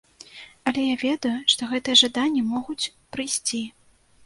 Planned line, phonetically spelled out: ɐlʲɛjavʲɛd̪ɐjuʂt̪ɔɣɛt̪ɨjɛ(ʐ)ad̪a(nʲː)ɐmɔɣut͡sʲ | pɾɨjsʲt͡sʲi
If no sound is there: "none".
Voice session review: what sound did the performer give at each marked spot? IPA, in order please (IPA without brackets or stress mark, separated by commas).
ʐ, nʲː